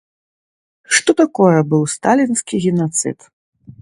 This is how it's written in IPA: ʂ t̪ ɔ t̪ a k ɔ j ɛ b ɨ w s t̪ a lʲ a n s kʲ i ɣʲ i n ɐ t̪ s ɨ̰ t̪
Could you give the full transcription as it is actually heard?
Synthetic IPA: ʂ t̪ ɔ t̪ a k ɔ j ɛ b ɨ w s t̪ a lʲ i n s kʲ i ɣʲ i n a t̪ s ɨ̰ t̪